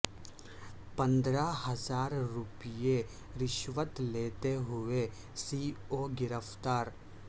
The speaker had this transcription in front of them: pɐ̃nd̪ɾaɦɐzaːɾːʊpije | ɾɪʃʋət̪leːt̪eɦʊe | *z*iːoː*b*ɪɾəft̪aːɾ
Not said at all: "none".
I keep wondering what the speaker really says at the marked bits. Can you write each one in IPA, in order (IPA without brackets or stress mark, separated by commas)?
s, ɡ